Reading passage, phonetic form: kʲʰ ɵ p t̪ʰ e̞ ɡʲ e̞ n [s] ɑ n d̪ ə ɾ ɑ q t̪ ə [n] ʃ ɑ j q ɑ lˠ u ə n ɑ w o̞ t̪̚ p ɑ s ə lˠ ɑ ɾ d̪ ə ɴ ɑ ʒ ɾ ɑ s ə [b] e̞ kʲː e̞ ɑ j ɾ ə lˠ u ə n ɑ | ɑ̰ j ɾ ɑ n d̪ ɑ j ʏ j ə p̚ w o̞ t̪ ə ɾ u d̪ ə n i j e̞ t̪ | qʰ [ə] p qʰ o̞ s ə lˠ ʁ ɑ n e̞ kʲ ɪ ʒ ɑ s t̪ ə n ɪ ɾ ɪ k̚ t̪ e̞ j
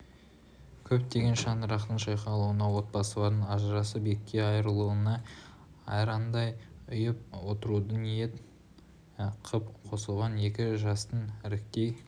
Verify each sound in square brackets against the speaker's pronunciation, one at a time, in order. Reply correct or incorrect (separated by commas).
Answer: incorrect, incorrect, correct, correct